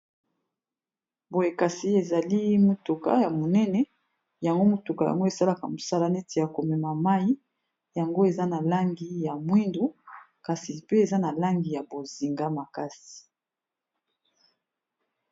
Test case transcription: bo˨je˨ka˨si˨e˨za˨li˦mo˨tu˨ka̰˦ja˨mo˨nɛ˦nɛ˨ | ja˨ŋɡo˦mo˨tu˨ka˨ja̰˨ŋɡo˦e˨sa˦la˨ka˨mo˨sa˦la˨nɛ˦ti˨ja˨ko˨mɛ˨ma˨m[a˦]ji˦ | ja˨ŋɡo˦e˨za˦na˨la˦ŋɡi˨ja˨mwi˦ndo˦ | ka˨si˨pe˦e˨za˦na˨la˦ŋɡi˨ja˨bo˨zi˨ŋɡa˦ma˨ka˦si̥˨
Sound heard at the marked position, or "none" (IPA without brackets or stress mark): a˦